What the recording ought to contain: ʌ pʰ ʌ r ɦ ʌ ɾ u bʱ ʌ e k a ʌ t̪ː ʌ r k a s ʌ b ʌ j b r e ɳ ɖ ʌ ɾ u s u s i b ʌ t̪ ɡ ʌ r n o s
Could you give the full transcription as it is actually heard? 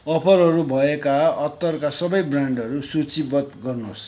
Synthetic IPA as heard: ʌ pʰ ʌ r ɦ ʌ ɾ u bʱ ʌ e k a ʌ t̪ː ʌ r k a s ʌ b ʌ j b r a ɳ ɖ ʌ ɾ u s u t͡s i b ʌ t̪ ɡ ʌ r n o s